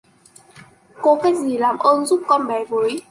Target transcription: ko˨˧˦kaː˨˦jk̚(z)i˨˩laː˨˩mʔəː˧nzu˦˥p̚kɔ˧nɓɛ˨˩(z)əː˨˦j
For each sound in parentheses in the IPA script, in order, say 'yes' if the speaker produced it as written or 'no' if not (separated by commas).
yes, no